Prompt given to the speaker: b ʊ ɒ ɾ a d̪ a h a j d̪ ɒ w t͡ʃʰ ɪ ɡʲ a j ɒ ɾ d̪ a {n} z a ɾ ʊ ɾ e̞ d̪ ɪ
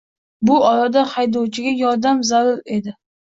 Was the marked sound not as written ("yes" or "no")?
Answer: yes